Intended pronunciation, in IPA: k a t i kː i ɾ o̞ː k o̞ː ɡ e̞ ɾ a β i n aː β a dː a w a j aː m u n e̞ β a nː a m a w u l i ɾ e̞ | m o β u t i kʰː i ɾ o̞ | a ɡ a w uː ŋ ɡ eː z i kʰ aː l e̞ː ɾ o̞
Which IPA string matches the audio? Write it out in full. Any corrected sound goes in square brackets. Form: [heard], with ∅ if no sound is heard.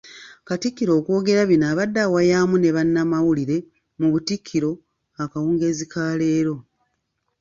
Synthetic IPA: k a t i kː i ɾ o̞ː k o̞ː ɡ e̞ ɾ a β i n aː β a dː a w a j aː m u n e̞ β a nː a m a w u l i ɾ e̞ | m [u] β u t i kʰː i ɾ o̞ | a [k] a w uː ŋ ɡ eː z i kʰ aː l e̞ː ɾ o̞